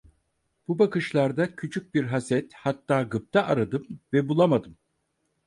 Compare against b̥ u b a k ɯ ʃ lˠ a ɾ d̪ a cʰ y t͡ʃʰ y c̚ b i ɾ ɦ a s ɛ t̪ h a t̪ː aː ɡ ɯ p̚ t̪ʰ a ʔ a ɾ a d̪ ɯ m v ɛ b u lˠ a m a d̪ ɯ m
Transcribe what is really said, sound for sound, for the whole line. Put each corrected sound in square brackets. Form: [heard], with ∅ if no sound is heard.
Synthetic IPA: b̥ u b a k ɯ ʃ lˠ a ɾ d̪ a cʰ y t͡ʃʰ y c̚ b i ɾ ɦ a s ɛ t̪ h a t̪ː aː ɡ ɯ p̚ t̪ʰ a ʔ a ɾ a d̪ ɯ m v ɛ b u lˠ a m a d̪ ɯ m

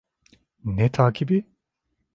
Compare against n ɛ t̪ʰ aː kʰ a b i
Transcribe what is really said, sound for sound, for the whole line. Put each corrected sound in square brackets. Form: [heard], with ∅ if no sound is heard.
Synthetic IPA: n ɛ t̪ʰ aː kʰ [i] b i

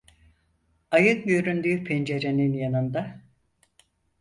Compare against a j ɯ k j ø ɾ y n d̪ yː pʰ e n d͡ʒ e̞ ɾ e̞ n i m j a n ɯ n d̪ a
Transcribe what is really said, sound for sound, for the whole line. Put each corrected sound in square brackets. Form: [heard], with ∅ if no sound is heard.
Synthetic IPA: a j ɯ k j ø ɾ y n d̪ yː pʰ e n d͡ʒ e̞ ɾ e̞ n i [n] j a n ɯ n d̪ a

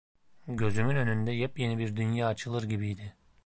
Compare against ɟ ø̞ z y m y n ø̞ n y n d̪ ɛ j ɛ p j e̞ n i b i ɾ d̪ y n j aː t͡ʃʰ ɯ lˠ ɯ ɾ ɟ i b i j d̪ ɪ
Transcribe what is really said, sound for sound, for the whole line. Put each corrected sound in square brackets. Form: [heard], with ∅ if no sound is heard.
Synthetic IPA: ɟ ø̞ z y m y n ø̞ n y n d̪ ɛ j ɛ p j e̞ n i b i ɾ d̪ y n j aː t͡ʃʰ ɯ lˠ ɯ ɾ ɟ i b i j d̪ ɪ

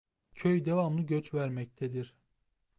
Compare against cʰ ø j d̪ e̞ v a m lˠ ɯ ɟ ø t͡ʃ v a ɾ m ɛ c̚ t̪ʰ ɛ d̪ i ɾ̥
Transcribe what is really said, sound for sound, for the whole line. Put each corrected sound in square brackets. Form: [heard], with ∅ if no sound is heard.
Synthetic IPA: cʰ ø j d̪ e̞ v a m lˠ ɯ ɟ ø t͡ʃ v [æ] ɾ m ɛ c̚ t̪ʰ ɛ d̪ i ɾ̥

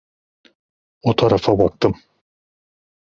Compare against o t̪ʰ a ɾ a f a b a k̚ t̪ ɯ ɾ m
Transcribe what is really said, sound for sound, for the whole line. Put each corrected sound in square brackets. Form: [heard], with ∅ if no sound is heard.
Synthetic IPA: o t̪ʰ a ɾ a f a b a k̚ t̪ ɯ [∅] m

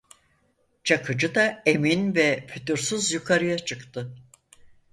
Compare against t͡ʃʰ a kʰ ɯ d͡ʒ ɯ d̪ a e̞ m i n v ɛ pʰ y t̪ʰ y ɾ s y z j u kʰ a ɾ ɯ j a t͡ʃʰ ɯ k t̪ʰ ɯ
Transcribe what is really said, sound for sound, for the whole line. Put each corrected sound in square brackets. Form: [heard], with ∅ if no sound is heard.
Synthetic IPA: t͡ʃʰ a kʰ ɯ d͡ʒ ɯ d̪ a e̞ m i n v ɛ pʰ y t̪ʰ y ɾ s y z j u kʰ a ɾ ɯ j a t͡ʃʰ ɯ k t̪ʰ ɯ

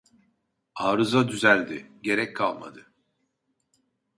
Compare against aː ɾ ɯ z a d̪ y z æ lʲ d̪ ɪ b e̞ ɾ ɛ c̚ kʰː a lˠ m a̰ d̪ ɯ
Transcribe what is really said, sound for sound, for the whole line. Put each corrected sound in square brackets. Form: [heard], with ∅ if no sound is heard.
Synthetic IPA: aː ɾ ɯ z a d̪ y z æ lʲ d̪ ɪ [ɟ] e̞ ɾ ɛ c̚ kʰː a lˠ m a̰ d̪ ɯ

